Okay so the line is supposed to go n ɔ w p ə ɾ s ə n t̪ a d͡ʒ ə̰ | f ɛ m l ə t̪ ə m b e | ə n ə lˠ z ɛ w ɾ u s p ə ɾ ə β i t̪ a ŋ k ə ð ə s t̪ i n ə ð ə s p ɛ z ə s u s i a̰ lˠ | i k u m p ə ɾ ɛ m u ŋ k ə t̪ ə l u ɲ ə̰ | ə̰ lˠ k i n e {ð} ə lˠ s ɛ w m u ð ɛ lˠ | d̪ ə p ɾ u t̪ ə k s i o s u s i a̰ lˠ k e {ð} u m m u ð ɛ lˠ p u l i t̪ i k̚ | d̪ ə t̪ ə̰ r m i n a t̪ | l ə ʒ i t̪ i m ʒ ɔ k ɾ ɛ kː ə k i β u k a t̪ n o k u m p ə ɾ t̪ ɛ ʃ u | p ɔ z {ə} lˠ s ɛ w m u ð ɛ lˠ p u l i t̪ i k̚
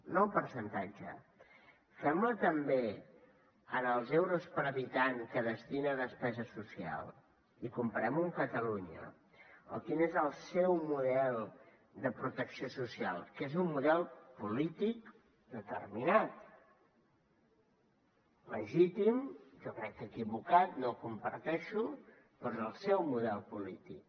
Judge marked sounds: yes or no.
no, no, yes

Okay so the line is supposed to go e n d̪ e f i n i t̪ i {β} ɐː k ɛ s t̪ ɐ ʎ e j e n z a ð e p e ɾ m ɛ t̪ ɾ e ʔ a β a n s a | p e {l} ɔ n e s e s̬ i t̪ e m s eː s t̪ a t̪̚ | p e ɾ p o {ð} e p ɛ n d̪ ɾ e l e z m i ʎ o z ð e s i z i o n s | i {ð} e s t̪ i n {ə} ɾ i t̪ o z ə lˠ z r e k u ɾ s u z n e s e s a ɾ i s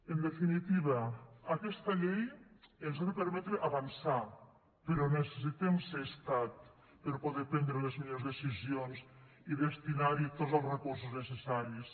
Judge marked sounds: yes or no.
yes, no, yes, yes, no

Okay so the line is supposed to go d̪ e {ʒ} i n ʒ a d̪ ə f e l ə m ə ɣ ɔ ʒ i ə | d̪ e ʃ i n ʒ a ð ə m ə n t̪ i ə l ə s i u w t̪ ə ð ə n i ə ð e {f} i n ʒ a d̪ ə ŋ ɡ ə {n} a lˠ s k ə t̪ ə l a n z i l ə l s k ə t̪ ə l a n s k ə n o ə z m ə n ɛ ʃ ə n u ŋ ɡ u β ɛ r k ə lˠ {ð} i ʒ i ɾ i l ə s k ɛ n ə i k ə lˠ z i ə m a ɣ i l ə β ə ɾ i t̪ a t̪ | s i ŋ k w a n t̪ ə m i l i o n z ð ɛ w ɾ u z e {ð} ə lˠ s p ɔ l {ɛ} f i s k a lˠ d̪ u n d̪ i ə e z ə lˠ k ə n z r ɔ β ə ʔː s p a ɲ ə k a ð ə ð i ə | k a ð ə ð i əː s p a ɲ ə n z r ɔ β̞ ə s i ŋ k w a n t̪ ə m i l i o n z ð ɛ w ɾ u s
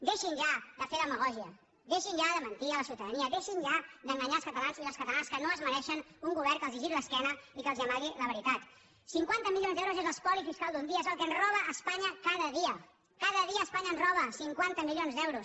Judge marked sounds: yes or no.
no, no, no, no, no, no

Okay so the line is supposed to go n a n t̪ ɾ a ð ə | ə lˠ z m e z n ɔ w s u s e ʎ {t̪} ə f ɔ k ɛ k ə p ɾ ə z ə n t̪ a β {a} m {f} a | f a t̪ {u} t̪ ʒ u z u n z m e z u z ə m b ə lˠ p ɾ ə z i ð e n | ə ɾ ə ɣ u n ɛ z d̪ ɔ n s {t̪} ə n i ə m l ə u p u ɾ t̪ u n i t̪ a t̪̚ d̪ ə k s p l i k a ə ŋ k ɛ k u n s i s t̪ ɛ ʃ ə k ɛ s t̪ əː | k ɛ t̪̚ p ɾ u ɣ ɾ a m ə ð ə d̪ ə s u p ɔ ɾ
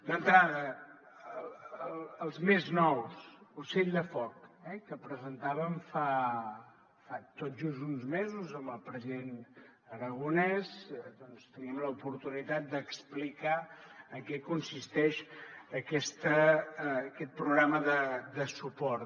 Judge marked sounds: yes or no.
no, no, yes, no, yes

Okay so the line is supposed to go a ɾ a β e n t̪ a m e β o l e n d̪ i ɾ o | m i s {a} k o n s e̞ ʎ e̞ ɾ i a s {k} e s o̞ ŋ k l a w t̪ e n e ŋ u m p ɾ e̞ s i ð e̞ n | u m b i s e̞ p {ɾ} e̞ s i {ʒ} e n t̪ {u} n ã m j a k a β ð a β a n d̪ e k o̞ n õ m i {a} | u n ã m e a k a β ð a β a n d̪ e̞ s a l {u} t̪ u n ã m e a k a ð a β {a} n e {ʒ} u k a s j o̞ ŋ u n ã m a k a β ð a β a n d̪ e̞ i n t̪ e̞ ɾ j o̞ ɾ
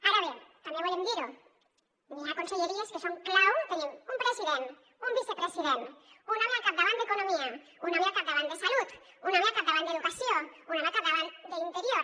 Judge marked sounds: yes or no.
yes, yes, yes, no, yes, yes, yes, yes, no

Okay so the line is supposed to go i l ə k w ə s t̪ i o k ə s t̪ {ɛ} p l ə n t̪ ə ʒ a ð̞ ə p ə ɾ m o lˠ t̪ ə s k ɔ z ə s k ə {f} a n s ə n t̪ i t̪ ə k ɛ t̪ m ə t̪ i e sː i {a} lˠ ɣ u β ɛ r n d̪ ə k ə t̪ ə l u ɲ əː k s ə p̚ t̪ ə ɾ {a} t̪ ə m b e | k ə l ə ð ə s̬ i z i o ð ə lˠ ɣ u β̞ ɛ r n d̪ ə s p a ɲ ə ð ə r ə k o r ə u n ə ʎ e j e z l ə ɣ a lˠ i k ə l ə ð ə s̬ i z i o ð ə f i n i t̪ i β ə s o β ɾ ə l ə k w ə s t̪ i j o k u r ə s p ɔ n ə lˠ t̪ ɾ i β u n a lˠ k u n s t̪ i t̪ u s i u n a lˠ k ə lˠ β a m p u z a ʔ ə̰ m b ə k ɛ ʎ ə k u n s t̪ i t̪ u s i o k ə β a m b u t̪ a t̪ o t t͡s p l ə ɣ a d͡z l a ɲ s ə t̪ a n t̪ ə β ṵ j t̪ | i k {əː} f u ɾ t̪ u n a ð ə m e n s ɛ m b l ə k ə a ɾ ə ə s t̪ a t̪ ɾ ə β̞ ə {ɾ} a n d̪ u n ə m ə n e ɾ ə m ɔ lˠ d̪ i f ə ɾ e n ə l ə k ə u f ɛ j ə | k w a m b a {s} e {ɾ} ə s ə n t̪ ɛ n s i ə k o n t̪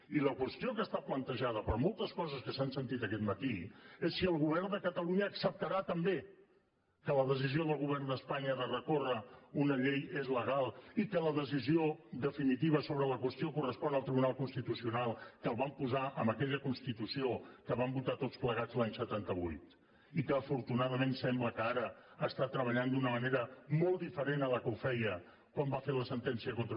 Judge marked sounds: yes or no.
no, no, no, yes, yes, no, no, no

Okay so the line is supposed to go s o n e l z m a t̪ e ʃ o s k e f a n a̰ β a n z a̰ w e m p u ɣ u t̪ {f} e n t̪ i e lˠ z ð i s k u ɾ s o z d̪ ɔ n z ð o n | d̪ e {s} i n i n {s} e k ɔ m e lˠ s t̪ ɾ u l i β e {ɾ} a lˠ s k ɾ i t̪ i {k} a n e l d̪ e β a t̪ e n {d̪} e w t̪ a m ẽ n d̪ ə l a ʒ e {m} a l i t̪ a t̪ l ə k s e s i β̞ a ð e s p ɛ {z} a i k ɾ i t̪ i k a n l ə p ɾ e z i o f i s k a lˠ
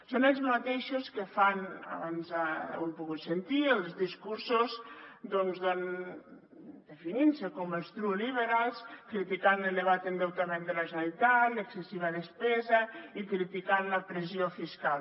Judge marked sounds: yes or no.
no, no, yes, yes, yes, yes, no, yes

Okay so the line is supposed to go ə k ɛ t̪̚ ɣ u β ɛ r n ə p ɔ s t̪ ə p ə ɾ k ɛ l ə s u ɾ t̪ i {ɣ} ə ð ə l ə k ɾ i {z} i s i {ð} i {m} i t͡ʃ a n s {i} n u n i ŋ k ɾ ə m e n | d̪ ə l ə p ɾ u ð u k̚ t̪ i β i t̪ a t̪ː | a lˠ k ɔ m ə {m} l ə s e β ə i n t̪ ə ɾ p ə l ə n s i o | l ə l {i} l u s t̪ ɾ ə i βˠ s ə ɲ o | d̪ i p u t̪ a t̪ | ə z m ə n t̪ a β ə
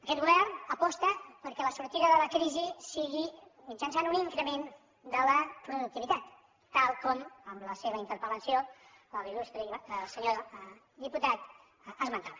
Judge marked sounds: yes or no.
no, yes, no, yes, no, yes, yes

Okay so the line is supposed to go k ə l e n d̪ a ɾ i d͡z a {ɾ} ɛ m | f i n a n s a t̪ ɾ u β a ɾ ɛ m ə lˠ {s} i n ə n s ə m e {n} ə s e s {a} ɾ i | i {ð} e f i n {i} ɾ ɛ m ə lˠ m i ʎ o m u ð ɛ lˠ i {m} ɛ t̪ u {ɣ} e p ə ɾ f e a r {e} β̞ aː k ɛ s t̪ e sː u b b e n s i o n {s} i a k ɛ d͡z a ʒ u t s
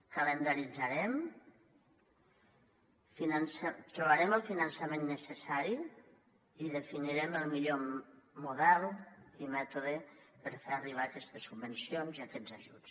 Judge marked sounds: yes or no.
yes, no, no, yes, yes, yes, yes, no, no, no

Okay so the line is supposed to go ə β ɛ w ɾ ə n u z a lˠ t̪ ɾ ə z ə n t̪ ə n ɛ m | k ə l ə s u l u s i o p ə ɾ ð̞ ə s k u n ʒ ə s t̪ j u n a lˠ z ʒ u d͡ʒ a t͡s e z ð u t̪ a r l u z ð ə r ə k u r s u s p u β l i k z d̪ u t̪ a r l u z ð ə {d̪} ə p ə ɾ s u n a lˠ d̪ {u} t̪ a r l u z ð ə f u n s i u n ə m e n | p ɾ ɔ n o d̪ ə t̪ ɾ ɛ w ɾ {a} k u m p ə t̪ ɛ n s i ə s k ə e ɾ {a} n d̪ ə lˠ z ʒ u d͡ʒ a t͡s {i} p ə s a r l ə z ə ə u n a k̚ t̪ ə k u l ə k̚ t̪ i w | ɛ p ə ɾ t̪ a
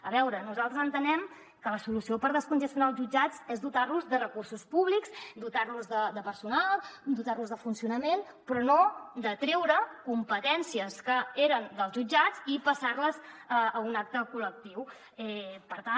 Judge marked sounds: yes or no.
yes, yes, no, no, yes

